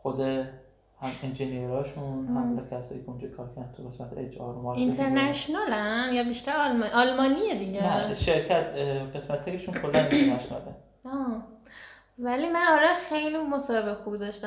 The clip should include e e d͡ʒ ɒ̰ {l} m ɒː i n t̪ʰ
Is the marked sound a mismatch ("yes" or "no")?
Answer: yes